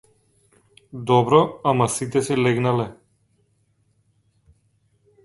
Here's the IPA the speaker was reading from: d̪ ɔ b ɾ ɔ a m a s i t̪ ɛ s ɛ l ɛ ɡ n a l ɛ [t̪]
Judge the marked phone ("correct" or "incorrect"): incorrect